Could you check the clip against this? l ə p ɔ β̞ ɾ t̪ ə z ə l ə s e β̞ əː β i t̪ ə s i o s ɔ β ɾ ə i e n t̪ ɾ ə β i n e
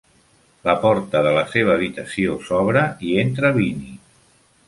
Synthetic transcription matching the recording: l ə p ɔ ɾ t̪ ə ð ə l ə s e β̞ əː β i t̪ ə s i o s ɔ β ɾ ə i e n t̪ ɾ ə β i n i